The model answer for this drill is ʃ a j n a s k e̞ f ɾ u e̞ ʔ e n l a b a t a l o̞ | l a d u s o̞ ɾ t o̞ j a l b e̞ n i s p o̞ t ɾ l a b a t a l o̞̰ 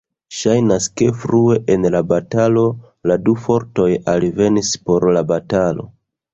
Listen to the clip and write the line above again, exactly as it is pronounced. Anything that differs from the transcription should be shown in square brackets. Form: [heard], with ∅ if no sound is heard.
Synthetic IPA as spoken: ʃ a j n a s k e̞ f ɾ u e̞ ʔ e n l a b a t a l o̞ | l a d u [f] o̞ ɾ t o̞ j a l [v] e̞ n i s p o̞ [∅] ɾ l a b a t a l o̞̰